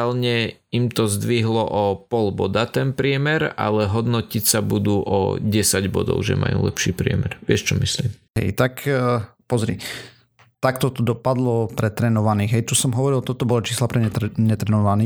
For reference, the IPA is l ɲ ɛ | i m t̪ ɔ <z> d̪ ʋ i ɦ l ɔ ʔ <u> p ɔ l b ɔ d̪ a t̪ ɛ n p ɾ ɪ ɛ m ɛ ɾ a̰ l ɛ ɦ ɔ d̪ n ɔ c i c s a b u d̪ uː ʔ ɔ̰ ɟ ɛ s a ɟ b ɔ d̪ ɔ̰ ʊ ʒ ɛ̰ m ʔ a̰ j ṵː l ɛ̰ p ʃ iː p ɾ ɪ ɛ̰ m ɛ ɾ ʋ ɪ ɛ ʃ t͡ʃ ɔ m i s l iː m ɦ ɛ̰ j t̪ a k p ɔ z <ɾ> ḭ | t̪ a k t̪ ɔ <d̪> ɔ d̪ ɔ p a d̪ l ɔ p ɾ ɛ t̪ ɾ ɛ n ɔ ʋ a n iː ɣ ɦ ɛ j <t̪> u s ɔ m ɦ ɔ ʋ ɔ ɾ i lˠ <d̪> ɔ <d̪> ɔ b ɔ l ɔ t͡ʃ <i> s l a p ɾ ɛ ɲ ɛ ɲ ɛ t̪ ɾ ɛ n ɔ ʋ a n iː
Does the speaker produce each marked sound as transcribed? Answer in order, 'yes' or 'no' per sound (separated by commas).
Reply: yes, no, yes, no, yes, no, no, no